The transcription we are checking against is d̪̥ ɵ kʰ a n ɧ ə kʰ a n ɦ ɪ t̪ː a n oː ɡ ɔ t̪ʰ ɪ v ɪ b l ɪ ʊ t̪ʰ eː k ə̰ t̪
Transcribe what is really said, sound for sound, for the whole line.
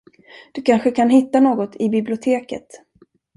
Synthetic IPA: d̪̥ ɵ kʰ a n ɧ ə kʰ a n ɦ ɪ t̪ː a n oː ɡ ɔ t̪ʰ ɪ b ɪ b l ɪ ʊ t̪ʰ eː k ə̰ t̪